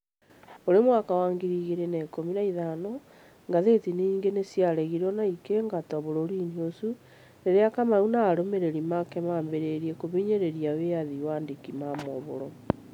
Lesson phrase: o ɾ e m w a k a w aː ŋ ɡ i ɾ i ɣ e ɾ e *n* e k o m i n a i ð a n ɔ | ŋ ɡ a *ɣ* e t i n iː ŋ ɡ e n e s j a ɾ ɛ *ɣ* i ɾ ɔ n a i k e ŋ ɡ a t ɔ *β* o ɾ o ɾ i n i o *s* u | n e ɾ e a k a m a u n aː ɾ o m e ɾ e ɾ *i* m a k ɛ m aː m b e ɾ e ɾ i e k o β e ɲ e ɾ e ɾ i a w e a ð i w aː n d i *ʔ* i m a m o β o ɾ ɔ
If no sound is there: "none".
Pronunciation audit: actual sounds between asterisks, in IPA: n, ð, ɣ, β, s, i, k

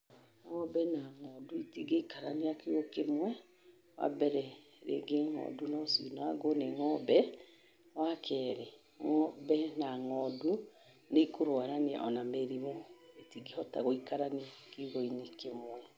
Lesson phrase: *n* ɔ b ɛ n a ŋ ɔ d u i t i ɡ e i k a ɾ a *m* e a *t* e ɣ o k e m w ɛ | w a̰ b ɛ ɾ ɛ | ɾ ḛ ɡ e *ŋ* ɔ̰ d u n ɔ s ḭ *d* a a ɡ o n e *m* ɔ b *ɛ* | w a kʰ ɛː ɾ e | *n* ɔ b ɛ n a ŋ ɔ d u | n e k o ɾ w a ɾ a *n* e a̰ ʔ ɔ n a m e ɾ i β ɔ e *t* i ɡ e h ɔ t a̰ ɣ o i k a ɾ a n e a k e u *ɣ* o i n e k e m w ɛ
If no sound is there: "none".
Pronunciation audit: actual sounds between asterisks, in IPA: ŋ, n, k, ŋ, n, ŋ, ɛ, ŋ, n, t, ɣ

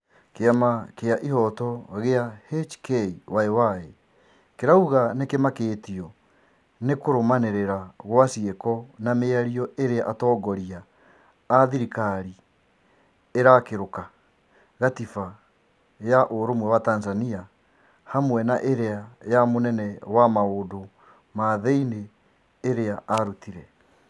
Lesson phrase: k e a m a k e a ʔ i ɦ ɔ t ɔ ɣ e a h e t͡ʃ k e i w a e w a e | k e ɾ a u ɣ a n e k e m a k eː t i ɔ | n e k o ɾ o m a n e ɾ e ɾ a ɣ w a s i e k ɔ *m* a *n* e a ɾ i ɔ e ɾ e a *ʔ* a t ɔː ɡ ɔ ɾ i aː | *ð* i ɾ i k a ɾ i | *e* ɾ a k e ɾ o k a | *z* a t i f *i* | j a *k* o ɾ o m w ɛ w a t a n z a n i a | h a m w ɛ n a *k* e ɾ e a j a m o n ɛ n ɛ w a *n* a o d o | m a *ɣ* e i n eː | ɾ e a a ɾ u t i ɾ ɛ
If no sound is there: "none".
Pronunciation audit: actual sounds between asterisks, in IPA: n, m, ʔ, ð, e, ɣ, a, ʔ, ʔ, m, ð

